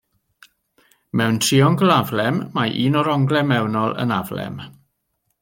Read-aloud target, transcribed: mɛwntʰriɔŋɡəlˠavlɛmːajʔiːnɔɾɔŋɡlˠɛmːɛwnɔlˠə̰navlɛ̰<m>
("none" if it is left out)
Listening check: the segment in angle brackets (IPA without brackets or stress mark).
m